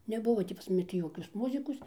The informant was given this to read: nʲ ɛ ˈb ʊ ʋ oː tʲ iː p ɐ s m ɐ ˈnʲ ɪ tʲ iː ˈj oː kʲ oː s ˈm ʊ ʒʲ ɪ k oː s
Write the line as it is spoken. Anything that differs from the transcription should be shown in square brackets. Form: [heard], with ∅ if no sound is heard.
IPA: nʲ ɛ ˈb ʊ ʋ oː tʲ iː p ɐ s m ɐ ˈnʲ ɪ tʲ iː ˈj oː kʲ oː s ˈm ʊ [zʲ] ɪ k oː s